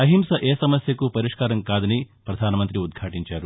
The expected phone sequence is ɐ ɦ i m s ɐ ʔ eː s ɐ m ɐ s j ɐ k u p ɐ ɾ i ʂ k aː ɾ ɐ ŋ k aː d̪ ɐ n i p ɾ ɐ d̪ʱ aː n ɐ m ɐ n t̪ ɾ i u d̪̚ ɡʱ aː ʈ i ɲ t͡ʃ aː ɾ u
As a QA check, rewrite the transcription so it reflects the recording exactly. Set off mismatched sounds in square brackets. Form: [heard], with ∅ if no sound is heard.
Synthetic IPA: ɐ ɦ i m s ɐ ʔ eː s ɐ m ɐ s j ɐ k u p ɐ ɾ i ʂ k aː ɾ ɐ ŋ k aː d̪ ɐ n i p ɾ ɐ d̪ʱ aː n ɐ m ɐ n t̪ ɾ i u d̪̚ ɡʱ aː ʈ i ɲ t͡ʃ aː ɾ u